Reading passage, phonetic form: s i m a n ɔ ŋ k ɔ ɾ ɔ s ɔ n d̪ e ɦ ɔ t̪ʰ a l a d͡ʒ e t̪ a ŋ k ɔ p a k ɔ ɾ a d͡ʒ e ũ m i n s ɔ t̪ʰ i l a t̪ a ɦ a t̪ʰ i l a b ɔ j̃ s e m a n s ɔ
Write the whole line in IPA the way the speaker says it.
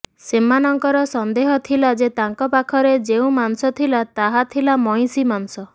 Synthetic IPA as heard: s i m a n ɔ ŋ k ɔ ɾ ɔ s ɔ n d̪ e ɦ ɔ t̪ʰ i l a d͡ʒ e t̪ a ŋ k ɔ p a kʰ ɔ ɾ e d͡ʒ e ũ m a n s ɔ t̪ʰ i l a t̪ a ɦ a t̪ʰ i l a m ɔ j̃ s i m a n s ɔ